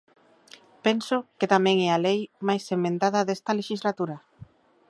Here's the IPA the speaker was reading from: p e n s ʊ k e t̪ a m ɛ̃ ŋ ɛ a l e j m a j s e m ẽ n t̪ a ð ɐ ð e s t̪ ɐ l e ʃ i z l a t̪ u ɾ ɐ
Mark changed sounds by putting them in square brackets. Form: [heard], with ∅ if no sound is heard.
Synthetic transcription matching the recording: p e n s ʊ k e t̪ a m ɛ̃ ŋ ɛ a l e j m a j s e m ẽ n t̪ a ð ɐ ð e s t̪ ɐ l e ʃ i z l a t̪ u ɾ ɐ